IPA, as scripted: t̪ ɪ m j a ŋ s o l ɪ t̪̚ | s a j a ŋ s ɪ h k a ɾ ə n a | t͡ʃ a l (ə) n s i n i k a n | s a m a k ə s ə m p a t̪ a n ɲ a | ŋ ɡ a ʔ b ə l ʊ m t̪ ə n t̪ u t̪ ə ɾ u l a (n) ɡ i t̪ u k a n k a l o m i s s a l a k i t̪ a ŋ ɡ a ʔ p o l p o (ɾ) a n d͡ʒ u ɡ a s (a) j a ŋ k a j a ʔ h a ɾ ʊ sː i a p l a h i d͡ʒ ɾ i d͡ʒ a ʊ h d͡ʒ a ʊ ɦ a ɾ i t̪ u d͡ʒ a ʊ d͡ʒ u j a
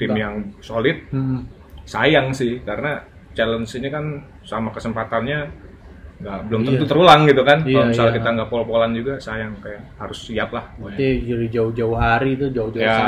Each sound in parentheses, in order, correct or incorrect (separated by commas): correct, incorrect, incorrect, correct